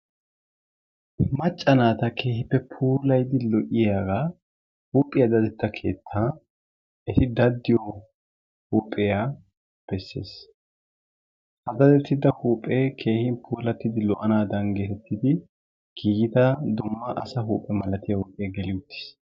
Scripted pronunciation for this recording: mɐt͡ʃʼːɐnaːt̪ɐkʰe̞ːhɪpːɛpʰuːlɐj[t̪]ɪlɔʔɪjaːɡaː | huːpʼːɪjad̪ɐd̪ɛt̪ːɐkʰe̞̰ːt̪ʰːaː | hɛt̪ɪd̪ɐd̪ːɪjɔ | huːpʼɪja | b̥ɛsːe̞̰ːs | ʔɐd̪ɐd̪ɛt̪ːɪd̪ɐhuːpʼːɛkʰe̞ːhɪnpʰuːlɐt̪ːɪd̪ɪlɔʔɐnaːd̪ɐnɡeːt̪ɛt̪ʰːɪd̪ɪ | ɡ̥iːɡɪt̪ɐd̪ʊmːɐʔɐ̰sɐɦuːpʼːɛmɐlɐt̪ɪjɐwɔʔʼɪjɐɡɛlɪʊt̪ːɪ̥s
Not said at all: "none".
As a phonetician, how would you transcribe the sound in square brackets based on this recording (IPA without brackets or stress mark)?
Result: d̪